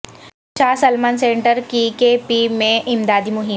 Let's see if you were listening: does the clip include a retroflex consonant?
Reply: yes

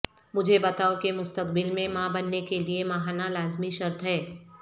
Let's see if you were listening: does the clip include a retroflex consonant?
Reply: no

